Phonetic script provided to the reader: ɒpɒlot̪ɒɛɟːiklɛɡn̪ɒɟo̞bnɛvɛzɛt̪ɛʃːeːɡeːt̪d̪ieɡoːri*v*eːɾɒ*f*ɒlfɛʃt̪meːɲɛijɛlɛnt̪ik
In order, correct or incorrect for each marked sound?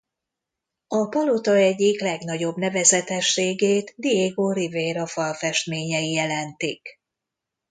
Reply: correct, correct

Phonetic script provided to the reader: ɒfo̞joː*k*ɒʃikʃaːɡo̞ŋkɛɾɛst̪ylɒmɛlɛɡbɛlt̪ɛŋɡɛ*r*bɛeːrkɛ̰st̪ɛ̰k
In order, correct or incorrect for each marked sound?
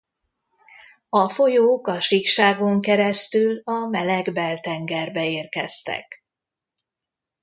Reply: correct, correct

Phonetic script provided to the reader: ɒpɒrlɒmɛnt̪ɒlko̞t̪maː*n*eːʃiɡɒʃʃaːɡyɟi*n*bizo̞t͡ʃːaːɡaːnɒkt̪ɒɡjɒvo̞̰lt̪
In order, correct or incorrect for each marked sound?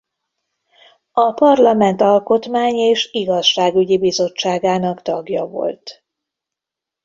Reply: incorrect: ɲ, incorrect: none

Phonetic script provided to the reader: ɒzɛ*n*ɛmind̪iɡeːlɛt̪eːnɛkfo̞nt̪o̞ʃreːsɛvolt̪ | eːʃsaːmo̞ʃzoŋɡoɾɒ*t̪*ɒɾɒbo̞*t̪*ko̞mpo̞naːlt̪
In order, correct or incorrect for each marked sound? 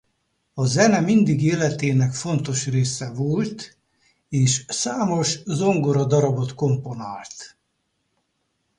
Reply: correct, incorrect: d̪, correct

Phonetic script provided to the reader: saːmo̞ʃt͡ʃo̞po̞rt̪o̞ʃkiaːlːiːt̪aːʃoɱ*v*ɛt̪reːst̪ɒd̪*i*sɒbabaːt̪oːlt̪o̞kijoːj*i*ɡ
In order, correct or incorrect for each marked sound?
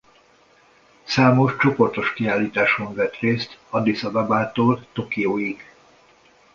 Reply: correct, correct, correct

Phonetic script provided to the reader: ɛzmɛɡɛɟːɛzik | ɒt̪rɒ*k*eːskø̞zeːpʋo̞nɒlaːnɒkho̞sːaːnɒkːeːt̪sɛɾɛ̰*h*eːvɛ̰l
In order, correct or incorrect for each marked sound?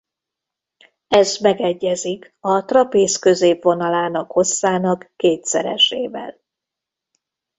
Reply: incorrect: p, incorrect: ʃ

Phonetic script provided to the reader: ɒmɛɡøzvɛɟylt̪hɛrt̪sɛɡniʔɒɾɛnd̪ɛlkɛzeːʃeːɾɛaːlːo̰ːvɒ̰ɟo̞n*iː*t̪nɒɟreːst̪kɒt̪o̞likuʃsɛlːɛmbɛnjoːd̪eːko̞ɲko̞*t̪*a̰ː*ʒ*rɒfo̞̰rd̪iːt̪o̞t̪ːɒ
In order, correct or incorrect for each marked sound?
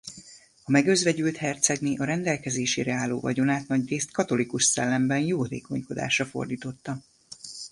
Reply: incorrect: aː, incorrect: d̪, incorrect: ʃ

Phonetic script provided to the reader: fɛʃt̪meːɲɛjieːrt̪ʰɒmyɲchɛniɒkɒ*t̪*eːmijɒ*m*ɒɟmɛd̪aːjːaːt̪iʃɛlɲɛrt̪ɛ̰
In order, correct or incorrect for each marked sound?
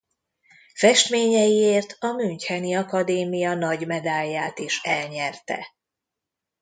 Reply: incorrect: d̪, incorrect: n

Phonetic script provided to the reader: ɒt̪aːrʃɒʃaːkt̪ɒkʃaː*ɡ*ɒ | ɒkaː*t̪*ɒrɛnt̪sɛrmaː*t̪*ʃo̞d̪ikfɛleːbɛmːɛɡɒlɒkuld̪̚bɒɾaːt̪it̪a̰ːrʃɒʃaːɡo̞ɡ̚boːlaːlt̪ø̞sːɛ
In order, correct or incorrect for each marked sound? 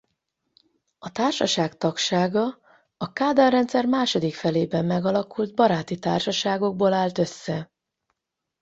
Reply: correct, incorrect: d̪, incorrect: none

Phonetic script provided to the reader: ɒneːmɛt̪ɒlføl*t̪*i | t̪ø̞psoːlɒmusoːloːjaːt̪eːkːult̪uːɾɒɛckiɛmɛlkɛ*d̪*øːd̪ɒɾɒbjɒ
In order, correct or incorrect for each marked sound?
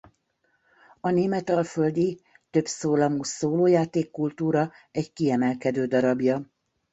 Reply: incorrect: d̪, correct

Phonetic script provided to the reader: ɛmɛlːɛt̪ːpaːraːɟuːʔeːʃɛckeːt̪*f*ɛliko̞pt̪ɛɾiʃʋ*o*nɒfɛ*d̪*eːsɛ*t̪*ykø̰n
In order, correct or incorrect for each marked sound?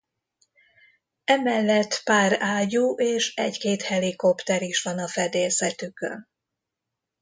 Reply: incorrect: h, incorrect: ɒ, correct, correct

